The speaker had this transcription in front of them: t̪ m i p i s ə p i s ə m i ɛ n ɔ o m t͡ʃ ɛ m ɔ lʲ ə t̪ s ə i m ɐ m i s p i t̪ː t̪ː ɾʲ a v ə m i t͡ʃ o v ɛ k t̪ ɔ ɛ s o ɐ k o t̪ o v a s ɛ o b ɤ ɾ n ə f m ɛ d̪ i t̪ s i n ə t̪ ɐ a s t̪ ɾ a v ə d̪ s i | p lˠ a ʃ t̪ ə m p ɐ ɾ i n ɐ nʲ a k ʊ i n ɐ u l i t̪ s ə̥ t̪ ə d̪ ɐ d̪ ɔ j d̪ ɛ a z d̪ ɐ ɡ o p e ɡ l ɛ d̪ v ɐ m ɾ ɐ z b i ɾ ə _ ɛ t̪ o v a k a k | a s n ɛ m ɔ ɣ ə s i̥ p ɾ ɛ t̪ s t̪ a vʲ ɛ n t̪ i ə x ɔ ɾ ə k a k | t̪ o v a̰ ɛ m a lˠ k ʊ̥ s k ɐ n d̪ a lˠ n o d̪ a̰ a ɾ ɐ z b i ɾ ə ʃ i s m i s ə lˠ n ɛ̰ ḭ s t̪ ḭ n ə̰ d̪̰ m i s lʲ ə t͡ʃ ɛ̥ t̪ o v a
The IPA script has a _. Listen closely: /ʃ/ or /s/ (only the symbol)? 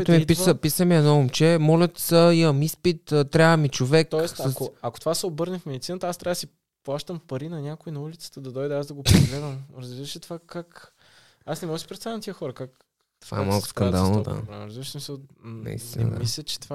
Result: ʃ